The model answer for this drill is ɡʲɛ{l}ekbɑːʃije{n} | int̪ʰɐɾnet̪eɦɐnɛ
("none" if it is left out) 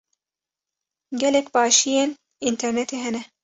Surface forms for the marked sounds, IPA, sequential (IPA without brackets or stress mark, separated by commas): l, n